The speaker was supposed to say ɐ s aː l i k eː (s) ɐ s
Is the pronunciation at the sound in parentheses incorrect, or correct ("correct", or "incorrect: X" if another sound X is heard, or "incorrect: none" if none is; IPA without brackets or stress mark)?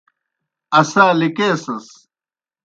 correct